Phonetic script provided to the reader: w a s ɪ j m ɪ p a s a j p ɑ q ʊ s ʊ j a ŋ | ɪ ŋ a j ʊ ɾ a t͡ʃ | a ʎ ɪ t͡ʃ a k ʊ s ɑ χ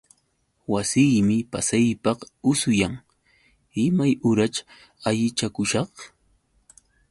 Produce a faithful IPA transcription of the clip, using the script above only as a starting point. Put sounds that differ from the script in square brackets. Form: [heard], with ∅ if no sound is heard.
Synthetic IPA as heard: w a s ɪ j m ɪ p a s a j p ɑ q ʊ s ʊ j a ŋ | ɪ [m] a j ʊ ɾ a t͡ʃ | a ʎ ɪ t͡ʃ a k ʊ [ʃ] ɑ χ